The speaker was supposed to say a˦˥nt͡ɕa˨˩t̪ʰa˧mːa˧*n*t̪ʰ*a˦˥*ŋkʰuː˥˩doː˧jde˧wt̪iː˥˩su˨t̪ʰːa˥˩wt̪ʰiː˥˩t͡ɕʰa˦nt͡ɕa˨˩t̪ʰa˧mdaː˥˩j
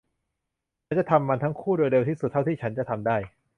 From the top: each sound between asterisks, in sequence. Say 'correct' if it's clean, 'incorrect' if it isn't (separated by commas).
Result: correct, correct